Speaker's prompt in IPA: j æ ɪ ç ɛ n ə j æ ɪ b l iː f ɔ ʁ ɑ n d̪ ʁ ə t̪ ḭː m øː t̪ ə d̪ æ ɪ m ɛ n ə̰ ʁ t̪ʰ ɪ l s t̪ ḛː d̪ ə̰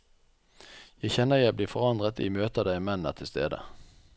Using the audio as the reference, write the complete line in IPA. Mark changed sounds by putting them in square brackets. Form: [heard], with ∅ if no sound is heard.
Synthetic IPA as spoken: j æ ɪ ç ɛ n ə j æ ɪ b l iː f ɔ ʁ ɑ n d̪ ʁ ə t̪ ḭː m øː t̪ ə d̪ æ ɪ m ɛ n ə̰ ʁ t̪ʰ ɪ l s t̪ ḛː d̪ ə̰